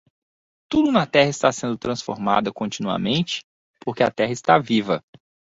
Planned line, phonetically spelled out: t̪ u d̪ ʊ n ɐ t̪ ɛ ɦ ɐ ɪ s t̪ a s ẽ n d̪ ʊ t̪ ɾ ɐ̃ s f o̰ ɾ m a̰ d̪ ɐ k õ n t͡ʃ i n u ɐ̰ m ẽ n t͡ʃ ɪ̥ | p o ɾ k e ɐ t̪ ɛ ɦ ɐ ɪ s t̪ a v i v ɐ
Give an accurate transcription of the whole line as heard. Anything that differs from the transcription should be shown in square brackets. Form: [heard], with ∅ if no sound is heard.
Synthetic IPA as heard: t̪ u d̪ ʊ n ɐ t̪ ɛ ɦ ɐ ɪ s t̪ a s ẽ n d̪ ʊ t̪ ɾ ɐ̃ s f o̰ ɾ m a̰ d̪ ɐ k õ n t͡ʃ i n u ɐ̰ m ẽ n t͡ʃ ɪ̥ | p o ɾ k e ɐ t̪ ɛ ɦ ɐ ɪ s t̪ a v i v ɐ